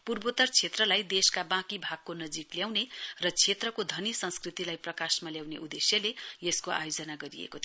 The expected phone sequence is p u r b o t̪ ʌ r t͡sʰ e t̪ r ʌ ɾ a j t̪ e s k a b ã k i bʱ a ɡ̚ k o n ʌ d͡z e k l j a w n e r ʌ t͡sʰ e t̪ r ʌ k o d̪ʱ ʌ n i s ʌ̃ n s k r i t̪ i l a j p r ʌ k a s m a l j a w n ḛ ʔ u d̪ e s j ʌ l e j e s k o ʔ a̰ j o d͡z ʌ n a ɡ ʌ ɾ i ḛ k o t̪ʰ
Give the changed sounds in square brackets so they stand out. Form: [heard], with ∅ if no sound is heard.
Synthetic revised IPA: p u r b o t̪ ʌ r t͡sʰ e t̪ r ʌ [l] a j [d̪] e s k a b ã k i bʱ a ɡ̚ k o n ʌ d͡z [i] k l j a w n e r ʌ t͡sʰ e t̪ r ʌ k o d̪ʱ ʌ n i s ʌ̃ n s k r i t̪ i l a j p r ʌ k a s m a l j a w n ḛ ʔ u d̪ e s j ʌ l e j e s k o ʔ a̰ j o d͡z ʌ n a ɡ ʌ ɾ i ḛ k o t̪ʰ